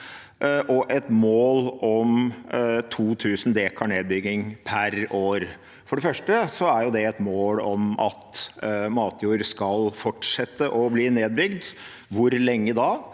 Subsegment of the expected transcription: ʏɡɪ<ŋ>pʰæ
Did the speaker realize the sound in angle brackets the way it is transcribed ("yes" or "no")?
yes